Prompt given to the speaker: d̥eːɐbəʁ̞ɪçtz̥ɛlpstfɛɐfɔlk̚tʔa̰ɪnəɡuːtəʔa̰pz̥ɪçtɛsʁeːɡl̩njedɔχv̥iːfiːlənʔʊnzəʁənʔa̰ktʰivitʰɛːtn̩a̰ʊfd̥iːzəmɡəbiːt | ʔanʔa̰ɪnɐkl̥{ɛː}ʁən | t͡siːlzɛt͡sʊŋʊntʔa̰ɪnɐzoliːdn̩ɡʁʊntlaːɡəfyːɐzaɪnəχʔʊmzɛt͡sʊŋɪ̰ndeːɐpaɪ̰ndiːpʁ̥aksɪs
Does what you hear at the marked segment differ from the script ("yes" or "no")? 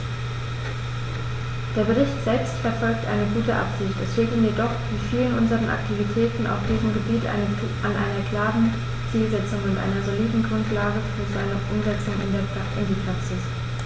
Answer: yes